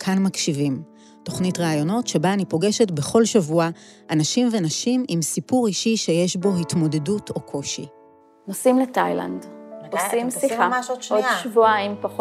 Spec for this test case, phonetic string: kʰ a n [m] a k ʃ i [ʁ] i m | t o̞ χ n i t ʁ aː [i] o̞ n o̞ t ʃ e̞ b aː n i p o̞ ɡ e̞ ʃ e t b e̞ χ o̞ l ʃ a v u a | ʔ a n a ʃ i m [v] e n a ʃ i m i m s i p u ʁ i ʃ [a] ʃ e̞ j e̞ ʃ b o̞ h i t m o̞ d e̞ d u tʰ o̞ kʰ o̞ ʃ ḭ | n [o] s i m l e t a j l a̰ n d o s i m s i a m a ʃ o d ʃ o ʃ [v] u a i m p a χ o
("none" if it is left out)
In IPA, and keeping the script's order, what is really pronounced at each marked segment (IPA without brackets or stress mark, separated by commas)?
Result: m, v, j, v, i, o, v